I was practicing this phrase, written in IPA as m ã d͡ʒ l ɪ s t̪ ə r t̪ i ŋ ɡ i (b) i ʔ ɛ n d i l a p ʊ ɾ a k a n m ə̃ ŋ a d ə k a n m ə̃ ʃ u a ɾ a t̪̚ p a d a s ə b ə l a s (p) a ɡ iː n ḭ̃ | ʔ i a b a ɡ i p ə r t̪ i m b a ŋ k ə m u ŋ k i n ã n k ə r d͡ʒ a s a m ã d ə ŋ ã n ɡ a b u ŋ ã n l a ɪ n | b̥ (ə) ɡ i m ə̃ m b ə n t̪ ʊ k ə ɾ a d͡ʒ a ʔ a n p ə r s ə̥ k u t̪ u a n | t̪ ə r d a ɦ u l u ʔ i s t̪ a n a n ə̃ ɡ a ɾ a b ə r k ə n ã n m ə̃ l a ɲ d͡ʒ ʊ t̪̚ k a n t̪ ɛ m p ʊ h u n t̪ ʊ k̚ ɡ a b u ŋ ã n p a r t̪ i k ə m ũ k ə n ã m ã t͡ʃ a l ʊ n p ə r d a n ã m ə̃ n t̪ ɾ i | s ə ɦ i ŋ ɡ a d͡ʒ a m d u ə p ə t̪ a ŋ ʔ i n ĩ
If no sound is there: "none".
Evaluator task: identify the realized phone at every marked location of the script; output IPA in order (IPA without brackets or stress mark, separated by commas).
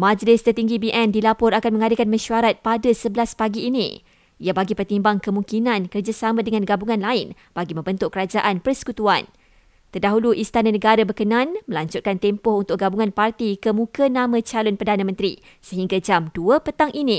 b, p, a